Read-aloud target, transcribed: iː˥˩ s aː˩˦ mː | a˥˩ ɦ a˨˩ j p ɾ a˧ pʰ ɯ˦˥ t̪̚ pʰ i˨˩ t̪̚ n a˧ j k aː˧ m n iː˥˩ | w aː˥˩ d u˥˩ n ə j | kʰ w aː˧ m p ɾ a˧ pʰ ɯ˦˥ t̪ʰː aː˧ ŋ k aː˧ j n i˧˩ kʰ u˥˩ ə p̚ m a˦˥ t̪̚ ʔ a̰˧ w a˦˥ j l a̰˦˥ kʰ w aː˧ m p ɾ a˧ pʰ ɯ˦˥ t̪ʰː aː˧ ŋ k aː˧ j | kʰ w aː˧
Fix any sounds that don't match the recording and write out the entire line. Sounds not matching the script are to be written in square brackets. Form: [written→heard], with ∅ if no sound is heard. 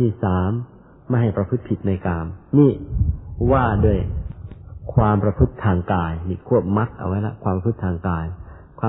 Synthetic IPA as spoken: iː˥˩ s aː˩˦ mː | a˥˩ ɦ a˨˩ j p ɾ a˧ pʰ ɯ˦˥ t̪̚ pʰ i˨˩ t̪̚ n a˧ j k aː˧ m n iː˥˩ | w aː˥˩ d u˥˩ [n→∅] ə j | kʰ w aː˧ m p ɾ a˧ pʰ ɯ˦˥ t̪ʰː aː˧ ŋ k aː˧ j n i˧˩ kʰ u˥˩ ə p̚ m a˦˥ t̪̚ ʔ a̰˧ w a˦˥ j l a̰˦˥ kʰ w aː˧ m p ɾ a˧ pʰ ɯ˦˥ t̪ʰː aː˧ ŋ k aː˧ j | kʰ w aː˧